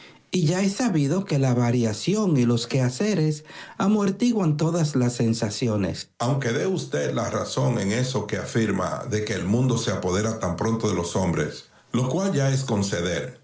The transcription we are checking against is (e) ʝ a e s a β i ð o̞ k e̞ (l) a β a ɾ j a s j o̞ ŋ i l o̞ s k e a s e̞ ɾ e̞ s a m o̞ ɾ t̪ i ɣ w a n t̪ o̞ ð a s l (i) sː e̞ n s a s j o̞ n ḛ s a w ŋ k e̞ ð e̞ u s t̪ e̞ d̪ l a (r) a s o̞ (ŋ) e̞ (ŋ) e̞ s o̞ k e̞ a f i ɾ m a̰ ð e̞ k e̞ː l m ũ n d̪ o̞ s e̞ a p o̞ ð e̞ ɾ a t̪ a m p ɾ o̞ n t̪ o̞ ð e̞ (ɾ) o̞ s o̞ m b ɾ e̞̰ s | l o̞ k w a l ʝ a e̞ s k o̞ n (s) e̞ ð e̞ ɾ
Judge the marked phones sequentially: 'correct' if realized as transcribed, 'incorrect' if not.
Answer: incorrect: i, correct, incorrect: a, correct, correct, correct, incorrect: l, correct

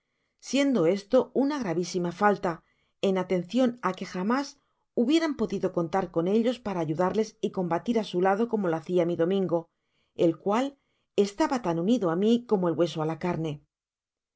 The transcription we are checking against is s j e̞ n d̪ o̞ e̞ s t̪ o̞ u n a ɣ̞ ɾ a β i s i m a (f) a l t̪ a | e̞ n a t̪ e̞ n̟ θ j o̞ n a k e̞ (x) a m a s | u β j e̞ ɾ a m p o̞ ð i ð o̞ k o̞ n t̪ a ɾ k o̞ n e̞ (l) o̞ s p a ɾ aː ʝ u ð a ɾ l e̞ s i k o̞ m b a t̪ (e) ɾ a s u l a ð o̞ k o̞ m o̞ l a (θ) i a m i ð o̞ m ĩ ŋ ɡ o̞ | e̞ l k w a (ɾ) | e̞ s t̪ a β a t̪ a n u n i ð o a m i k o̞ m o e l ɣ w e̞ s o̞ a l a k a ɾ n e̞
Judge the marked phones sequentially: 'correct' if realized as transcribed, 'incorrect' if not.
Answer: correct, correct, incorrect: ʎ, incorrect: i, correct, incorrect: l

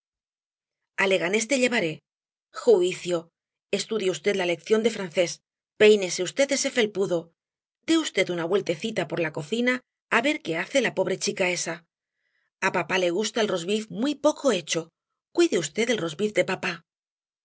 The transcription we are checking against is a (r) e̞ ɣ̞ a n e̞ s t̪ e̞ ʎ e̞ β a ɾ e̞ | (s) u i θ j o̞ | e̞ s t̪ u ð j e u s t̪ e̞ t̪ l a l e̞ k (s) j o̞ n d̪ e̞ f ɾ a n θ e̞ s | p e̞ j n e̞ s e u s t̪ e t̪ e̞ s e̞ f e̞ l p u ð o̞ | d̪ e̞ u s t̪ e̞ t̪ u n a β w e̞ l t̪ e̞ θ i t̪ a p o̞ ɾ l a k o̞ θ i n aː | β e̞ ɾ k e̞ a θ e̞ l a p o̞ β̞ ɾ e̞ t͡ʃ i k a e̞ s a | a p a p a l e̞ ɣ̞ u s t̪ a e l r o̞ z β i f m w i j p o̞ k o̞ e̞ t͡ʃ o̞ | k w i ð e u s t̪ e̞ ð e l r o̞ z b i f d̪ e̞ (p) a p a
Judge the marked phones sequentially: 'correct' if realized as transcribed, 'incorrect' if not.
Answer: incorrect: l, incorrect: x, incorrect: θ, correct

